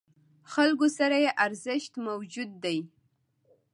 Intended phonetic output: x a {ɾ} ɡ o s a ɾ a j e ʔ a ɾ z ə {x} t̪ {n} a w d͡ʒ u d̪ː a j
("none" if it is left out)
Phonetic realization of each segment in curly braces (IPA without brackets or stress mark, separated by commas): l, ʃ, m